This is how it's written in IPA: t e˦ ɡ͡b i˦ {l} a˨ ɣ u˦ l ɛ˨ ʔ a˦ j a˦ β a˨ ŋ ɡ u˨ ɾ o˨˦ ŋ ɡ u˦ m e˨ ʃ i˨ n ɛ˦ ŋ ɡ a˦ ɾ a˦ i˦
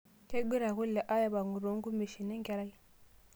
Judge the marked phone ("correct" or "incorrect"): incorrect